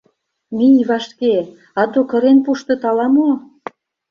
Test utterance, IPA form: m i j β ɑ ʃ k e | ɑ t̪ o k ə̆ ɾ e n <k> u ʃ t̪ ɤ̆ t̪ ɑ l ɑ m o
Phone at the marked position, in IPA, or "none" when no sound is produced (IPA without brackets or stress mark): p